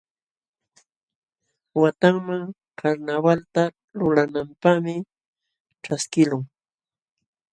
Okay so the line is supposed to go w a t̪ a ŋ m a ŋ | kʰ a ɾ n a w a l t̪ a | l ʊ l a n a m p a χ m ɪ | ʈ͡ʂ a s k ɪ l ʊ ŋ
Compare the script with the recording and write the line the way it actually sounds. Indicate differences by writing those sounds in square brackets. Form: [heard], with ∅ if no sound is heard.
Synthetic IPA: w a t̪ a ŋ m a ŋ | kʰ a ɾ n a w a l t̪ a | l ʊ l a n a m p a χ m ɪ | ʈ͡ʂ a s k ɪ l ʊ ŋ